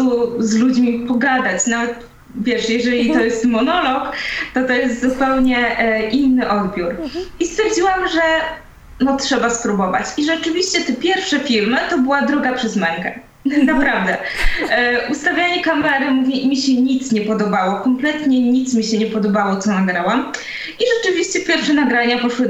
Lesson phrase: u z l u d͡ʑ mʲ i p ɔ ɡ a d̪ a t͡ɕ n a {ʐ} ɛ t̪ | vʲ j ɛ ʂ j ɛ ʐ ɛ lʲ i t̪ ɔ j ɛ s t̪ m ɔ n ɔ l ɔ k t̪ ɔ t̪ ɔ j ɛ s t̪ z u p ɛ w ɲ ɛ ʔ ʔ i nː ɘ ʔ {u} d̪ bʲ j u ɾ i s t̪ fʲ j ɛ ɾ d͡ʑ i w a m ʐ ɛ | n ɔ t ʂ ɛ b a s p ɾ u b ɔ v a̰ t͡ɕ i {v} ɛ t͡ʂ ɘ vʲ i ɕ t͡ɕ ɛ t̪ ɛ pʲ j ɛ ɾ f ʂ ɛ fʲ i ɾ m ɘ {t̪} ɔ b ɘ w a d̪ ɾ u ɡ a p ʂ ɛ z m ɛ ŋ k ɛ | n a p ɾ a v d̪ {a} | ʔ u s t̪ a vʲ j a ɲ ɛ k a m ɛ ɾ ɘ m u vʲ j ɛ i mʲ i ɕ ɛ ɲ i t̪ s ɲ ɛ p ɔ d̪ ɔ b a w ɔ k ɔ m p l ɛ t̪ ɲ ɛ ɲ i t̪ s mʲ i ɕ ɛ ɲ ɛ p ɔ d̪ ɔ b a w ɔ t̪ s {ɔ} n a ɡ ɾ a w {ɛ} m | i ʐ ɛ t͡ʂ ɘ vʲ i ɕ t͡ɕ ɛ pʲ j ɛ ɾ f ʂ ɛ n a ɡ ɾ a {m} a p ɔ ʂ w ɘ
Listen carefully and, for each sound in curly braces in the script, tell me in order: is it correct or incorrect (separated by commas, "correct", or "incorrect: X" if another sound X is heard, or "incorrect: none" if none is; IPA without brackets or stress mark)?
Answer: incorrect: v, incorrect: ɔ, incorrect: ʐ, correct, incorrect: ɛ, correct, incorrect: a, incorrect: ɲ